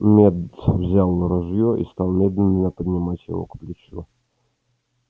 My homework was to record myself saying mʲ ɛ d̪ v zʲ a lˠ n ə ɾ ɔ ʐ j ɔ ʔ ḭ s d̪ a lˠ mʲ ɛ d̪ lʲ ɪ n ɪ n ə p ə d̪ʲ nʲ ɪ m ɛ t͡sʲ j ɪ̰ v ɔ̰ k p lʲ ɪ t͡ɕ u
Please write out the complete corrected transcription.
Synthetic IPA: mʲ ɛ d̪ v zʲ a lˠ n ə ɾ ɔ ʐ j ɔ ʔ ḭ s t̪ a lˠ mʲ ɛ d̪ lʲ ɪ n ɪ n ə p ə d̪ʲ nʲ ɪ m a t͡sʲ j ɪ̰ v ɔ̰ k p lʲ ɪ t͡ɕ u